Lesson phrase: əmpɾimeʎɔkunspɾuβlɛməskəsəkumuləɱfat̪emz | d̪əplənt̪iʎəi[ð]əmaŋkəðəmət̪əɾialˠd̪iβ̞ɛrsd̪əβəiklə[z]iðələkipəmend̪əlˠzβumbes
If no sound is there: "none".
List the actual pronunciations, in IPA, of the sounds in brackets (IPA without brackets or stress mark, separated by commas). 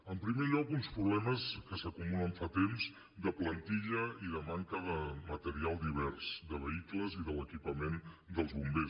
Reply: ð, z